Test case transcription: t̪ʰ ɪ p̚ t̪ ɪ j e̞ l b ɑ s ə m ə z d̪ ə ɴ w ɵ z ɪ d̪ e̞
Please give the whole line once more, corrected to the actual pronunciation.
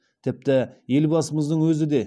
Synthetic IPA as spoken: t̪ʰ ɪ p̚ t̪ ɪ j e̞ l b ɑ s ə m ə z d̪ ə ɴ w ɵ z ɪ d̪ e̞

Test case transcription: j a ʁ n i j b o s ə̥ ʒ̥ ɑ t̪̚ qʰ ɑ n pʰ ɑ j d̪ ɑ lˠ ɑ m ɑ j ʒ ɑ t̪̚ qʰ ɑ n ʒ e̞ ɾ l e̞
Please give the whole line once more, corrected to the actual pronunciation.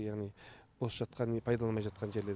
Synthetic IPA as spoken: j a ʁ n i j b o s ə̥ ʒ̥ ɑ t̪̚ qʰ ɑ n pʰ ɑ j d̪ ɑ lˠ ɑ m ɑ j ʒ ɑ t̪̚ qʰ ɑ n ʒ e̞ ɾ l e̞

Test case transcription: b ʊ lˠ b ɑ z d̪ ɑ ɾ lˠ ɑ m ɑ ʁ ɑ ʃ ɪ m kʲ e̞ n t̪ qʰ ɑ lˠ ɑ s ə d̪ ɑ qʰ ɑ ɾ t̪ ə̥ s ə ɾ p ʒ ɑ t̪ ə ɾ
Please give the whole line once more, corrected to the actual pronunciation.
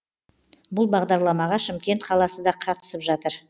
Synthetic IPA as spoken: b ʊ lˠ b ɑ ʁ d̪ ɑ ɾ lˠ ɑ m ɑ ʁ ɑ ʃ ɪ m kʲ e̞ n t̪ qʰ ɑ lˠ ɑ s ə d̪ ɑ qʰ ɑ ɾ t̪ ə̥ s ə p ʒ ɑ t̪ ə ɾ

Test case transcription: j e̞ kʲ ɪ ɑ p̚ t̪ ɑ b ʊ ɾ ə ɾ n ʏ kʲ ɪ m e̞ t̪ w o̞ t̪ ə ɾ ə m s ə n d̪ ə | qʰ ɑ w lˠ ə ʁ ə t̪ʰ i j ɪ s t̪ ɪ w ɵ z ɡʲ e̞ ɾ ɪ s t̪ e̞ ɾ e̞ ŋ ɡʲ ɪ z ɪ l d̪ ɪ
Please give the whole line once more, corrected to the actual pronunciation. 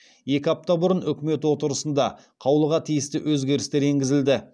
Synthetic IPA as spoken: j e̞ kʲ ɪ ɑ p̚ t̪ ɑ b ʊ ɾ ə n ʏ kʲ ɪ m e̞ t̪ w o̞ t̪ ə ɾ ə s ə n d̪ ɑ | qʰ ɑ w lˠ ə ʁ ɑ t̪ʰ i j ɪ s t̪ ɪ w ɵ z ɡʲ e̞ ɾ ɪ s t̪ e̞ ɾ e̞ ŋ ɡʲ ɪ z ɪ l d̪ ɪ

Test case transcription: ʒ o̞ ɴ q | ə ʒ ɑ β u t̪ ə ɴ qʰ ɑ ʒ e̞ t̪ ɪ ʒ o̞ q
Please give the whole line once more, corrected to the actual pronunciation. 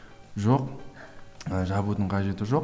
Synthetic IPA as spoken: ʒ o̞ q | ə ʒ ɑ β u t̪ ə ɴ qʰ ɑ ʒ e̞ t̪ ɪ ʒ o̞ q

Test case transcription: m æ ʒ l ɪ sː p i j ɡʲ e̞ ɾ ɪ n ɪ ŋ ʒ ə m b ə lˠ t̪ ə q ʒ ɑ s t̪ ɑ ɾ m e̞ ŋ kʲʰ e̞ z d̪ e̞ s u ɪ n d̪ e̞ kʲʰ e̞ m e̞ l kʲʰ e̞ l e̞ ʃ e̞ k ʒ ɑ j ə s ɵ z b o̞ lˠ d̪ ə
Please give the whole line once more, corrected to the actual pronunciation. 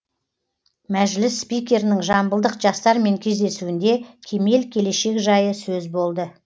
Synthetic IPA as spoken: m æ ʒ l ɪ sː p i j kʲ e̞ ɾ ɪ n ɪ ŋ ʒ ɑ m b ə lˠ d̪ ə q ʒ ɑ s t̪ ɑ ɾ m e̞ ŋ kʲʰ e̞ z d̪ e̞ s u ɪ n d̪ e̞ kʲʰ e̞ m e̞ l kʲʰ e̞ l e̞ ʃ e̞ k ʒ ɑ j ə s ɵ z b o̞ lˠ d̪ ə

